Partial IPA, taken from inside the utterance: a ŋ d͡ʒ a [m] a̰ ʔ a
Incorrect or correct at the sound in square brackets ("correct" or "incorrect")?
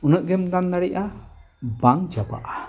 incorrect